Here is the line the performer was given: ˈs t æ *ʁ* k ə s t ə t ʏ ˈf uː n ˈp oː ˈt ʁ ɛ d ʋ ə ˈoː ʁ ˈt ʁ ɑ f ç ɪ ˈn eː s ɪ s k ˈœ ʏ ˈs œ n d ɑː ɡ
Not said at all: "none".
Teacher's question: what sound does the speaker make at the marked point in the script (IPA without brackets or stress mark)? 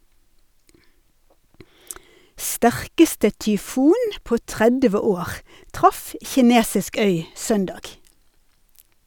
ʁ